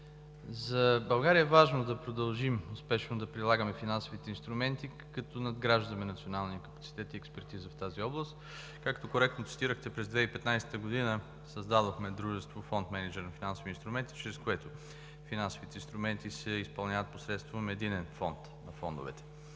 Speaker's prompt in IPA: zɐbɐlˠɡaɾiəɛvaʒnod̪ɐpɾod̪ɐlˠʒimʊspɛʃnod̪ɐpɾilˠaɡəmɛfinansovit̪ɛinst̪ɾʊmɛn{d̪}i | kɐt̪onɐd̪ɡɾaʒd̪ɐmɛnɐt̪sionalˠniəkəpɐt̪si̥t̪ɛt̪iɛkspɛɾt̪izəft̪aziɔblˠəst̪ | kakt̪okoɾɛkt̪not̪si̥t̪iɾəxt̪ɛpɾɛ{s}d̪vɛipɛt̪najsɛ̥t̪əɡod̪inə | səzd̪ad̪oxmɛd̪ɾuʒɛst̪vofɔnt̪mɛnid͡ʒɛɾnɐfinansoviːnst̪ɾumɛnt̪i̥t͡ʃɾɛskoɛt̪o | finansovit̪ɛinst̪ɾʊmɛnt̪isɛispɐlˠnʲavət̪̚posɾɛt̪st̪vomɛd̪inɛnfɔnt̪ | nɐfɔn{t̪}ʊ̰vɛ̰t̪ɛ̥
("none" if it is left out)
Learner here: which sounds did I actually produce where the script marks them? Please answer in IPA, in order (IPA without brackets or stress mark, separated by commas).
t̪, z, d̪